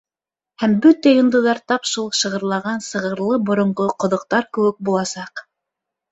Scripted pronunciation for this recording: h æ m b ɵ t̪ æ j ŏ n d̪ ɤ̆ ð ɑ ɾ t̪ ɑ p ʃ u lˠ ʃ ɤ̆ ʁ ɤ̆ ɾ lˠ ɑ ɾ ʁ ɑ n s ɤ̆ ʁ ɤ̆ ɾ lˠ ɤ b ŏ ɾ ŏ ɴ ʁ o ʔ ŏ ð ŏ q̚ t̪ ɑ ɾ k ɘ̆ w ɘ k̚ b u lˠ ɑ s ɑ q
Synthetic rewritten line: h æ m b ɵ t̪ æ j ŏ n d̪ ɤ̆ ð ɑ ɾ t̪ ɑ p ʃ u lˠ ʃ ɤ̆ ʁ ɤ̆ ɾ lˠ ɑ ʁ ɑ n s ɤ̆ ʁ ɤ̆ ɾ lˠ ɤ b ŏ ɾ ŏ ɴ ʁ o q ŏ ð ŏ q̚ t̪ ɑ ɾ k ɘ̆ w ɘ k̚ b u lˠ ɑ s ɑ q

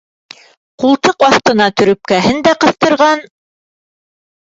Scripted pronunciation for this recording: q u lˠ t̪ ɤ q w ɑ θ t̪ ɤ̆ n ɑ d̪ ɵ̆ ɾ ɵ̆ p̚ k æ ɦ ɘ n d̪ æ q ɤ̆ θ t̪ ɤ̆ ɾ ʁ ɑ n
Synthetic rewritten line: q u lˠ t̪ ɤ q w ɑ θ t̪ ɤ̆ n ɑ t̪ ɵ̆ ɾ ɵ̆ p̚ k æ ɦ ɘ n d̪ æ q ɤ̆ θ t̪ ɤ̆ ɾ ʁ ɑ n

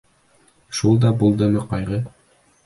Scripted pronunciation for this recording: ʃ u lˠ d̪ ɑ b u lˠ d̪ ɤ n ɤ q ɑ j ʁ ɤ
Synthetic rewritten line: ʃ u lˠ d̪ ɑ b u lˠ d̪ ɤ m ɤ q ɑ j ʁ ɤ

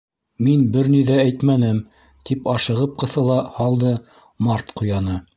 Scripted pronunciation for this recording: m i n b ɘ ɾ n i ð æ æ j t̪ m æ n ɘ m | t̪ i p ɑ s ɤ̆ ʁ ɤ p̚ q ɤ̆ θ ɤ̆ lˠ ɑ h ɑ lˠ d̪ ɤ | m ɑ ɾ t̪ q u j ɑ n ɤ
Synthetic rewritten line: m i n b ɘ ɾ n i ð æ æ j t̪ m æ n ɘ m | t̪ i p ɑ ʃ ɤ̆ ʁ ɤ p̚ q ɤ̆ θ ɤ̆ lˠ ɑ h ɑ lˠ d̪ ɤ | m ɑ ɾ t̪ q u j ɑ n ɤ

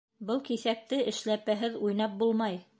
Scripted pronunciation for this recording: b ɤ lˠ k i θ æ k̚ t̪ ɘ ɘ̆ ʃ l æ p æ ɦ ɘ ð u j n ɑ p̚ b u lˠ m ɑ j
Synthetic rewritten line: b ɤ lˠ k i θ æ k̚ t̪ ɘ ɘ̆ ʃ l æ p æ ɦ ɘ ð u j n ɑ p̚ b u lˠ m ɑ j

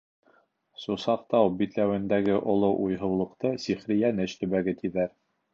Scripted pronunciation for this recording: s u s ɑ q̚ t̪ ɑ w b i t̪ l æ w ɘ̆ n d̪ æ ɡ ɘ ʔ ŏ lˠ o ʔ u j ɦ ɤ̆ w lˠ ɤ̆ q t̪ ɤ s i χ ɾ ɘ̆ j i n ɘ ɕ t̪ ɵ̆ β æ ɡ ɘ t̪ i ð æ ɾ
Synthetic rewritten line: s u s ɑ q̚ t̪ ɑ w b i t̪ l æ w ɘ̆ n d̪ æ ɡ ɘ ʔ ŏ lˠ o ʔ u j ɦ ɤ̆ w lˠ ɤ̆ q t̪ ɤ s i χ ɾ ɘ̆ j æ n ɘ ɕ t̪ ɵ̆ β æ ɡ ɘ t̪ i ð æ ɾ

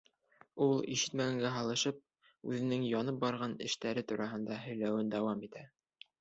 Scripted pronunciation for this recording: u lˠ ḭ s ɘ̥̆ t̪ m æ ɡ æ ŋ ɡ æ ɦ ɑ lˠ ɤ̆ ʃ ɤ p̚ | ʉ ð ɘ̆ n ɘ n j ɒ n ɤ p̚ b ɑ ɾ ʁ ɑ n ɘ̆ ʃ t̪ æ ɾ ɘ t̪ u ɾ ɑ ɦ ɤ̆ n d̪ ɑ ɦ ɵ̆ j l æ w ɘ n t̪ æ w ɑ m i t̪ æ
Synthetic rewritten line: u lˠ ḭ ʃ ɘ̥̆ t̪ m æ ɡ æ ŋ ɡ æ ɦ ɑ lˠ ɤ̆ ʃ ɤ p̚ | ʉ ð ɘ̆ n ɘ ŋ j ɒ n ɤ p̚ b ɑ ɾ ʁ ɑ n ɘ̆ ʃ t̪ æ ɾ ɘ t̪ u ɾ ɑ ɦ ɤ̆ n d̪ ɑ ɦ ɵ̆ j l æ w ɘ n d̪ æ w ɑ m i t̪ æ

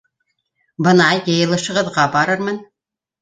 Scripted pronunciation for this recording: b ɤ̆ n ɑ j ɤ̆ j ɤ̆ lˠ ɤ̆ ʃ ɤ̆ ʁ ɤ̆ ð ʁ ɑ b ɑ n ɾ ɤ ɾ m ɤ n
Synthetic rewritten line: b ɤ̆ n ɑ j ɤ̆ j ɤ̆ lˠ ɤ̆ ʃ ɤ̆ ʁ ɤ̆ ð ʁ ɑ b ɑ ɾ ɤ ɾ m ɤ n

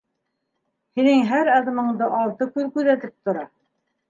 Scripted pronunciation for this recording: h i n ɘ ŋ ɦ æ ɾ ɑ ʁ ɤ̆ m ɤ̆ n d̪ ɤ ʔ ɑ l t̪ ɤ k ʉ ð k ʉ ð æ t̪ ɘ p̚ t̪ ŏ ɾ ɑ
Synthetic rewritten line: h i n ɘ ŋ ɦ æ ɾ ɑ ð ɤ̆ m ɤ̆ ɴ d̪ ɤ ʔ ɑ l t̪ ɤ k ʉ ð k ʉ ð æ t̪ ɘ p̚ t̪ ŏ ɾ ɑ

